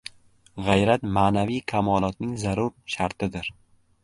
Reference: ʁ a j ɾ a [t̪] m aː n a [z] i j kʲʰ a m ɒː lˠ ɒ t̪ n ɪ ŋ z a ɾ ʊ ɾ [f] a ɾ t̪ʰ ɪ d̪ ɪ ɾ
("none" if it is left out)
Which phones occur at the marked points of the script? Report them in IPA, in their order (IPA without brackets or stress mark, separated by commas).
t̪, v, ʃ